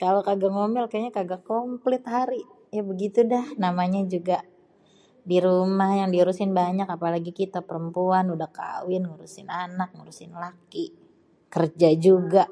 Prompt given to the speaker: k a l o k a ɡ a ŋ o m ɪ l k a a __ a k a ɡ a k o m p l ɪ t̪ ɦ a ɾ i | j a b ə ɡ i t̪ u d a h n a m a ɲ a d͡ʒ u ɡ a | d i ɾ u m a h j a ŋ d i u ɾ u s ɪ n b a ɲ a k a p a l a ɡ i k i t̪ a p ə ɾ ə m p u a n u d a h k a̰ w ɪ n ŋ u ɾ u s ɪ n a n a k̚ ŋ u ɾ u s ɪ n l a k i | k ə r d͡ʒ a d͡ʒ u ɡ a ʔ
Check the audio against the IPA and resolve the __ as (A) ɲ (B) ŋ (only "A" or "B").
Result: A